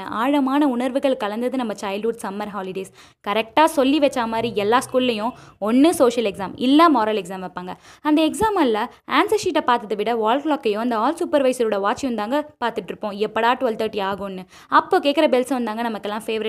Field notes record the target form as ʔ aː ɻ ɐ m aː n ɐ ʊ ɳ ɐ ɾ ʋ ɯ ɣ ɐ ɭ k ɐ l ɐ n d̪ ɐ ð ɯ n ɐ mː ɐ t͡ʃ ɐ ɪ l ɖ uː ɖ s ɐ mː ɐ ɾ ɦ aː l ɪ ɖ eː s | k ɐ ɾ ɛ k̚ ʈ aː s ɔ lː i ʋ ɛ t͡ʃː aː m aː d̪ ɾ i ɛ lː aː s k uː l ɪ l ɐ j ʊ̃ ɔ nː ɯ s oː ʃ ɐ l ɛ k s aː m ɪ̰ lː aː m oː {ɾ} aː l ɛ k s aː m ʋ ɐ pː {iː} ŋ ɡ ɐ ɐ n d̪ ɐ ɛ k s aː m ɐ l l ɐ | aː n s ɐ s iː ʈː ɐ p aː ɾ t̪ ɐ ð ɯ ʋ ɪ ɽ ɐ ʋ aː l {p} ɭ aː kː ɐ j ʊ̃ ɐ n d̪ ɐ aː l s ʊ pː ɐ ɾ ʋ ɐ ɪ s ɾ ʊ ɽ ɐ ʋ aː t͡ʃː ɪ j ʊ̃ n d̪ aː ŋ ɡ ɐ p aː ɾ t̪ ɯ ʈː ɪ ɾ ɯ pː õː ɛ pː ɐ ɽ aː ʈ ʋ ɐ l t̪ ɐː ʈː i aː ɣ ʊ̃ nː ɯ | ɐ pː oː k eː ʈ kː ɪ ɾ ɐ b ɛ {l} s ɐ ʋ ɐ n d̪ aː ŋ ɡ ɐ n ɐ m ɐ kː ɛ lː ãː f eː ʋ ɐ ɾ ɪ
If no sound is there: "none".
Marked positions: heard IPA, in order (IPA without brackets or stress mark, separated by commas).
ɾ, aː, k, l